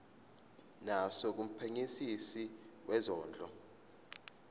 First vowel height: low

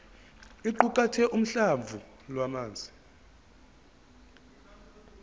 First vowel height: high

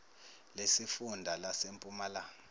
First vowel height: mid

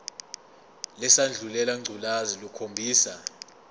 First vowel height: mid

